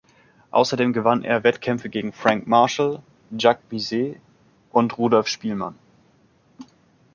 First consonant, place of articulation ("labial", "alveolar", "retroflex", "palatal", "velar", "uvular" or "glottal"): glottal